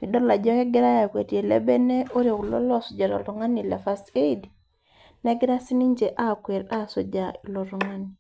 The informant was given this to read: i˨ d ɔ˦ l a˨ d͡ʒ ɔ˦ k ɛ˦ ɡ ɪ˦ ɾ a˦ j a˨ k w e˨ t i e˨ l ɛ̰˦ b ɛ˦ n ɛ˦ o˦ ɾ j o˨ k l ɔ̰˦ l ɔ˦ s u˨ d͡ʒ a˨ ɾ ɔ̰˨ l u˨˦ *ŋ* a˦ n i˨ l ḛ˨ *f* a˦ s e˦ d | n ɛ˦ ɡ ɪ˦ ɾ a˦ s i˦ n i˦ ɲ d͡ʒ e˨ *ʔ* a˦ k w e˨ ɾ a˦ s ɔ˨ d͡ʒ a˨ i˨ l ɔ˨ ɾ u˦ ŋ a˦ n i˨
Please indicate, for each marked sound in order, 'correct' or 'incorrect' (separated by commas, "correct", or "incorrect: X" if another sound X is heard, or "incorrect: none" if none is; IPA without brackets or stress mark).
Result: correct, correct, correct